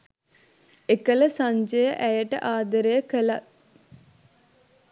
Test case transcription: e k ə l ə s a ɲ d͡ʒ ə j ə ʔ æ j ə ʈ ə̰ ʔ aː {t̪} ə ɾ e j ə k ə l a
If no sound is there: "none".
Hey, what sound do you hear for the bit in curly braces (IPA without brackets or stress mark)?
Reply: d̪